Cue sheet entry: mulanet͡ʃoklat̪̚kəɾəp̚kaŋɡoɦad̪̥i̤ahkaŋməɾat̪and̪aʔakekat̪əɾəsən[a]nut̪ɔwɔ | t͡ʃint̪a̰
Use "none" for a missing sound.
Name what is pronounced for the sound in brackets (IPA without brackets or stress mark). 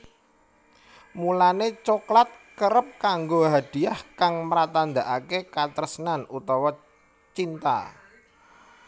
a